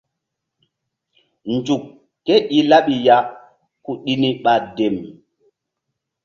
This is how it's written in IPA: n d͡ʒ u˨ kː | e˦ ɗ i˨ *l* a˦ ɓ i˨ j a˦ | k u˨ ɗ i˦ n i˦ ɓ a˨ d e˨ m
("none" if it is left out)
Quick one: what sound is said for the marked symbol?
l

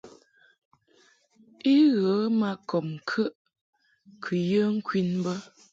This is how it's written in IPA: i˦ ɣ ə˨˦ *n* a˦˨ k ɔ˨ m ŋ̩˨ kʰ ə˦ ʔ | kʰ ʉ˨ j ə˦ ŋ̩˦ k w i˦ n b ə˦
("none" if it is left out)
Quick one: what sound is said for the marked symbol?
m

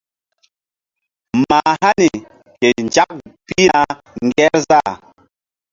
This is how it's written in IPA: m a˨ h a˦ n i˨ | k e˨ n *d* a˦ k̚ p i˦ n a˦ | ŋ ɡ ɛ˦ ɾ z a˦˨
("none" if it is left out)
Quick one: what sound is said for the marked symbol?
d͡ʒ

